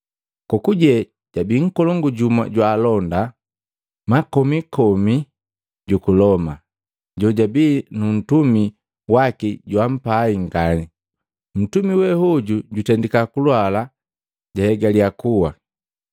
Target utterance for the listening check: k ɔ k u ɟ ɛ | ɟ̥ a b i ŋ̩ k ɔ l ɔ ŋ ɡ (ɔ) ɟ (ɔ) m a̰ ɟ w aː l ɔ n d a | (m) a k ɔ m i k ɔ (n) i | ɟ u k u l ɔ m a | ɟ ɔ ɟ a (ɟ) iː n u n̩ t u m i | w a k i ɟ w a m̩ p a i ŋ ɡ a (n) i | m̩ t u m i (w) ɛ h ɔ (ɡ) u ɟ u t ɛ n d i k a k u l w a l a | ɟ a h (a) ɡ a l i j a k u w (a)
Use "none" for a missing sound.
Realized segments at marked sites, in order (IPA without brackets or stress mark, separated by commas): u, u, m, m, b, n, w, ɟ, ɛ, a